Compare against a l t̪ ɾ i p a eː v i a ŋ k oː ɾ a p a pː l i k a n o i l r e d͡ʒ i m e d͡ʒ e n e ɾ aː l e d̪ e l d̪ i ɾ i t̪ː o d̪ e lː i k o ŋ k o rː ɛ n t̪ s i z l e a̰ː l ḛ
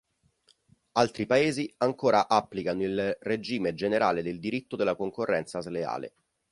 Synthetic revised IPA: a l t̪ ɾ i p a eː z i a ŋ k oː ɾ a ʔ a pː l i k a n o i l r e d͡ʒ iː m e d͡ʒ e n e ɾ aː l e d̪ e l d̪ i ɾ i t̪ː o d̪ e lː a k o ŋ k o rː ɛ n t̪ s a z l e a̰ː l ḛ